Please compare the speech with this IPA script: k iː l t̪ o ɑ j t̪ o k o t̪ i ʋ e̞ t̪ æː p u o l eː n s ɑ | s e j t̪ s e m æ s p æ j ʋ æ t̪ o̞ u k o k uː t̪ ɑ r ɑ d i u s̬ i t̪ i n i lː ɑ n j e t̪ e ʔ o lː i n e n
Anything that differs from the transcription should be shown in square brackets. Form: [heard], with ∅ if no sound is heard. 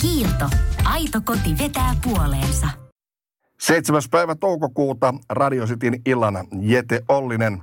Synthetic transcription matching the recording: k iː l t̪ o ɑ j t̪ o k o t̪ i ʋ e̞ t̪ æː p u o l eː n s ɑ | s e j t̪ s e m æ s p æ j ʋ æ t̪ o̞ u k o k uː t̪ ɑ r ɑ d i [o] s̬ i t̪ i n i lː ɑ n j e t̪ e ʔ o lː i n e n